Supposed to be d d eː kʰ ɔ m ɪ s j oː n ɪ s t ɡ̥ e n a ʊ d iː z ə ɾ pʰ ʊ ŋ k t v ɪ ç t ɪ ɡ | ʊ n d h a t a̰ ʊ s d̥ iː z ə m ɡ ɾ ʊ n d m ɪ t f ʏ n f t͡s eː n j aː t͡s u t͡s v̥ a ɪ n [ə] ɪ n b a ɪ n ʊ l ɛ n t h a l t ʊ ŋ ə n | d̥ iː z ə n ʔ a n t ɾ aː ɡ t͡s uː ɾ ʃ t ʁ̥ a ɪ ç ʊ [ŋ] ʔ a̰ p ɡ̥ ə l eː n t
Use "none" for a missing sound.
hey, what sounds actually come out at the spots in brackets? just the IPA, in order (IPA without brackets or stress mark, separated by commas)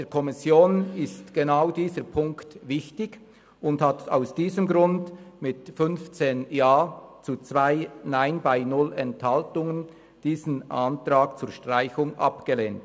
a, ŋ